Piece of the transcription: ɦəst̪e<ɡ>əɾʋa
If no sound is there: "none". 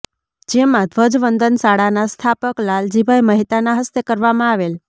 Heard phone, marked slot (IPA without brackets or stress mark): k